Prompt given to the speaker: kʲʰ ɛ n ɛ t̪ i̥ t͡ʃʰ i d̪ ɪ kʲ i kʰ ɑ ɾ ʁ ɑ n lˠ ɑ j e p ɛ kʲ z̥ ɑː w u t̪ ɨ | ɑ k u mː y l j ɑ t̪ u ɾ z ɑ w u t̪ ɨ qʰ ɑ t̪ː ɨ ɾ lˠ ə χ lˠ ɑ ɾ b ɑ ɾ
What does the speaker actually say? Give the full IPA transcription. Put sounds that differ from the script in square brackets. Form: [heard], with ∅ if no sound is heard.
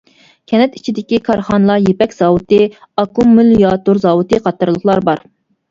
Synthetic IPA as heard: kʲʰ ɛ n ɛ t̪ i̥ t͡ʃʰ i d̪ ɪ kʲ i kʰ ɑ ɾ [χ] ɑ n lˠ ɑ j e p ɛ kʲ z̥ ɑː w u t̪ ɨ | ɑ k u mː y l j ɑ t̪ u ɾ z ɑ w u t̪ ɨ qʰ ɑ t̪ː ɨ ɾ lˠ ə χ lˠ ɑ ɾ b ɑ ɾ